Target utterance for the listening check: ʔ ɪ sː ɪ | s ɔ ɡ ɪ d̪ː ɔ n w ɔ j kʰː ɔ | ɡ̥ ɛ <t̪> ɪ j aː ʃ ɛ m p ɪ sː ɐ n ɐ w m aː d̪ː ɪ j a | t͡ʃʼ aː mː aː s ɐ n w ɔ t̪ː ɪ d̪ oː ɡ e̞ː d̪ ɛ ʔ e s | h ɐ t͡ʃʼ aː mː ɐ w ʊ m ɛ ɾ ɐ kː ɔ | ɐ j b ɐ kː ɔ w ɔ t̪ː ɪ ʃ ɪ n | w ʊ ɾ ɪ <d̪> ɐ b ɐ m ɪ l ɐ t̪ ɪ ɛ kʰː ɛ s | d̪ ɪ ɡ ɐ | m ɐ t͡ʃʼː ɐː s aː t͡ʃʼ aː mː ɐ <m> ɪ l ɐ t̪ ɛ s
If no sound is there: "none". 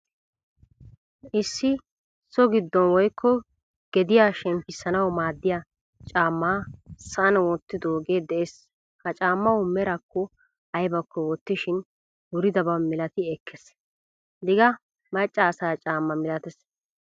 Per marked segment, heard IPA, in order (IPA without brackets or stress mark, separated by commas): d̪, d̪, m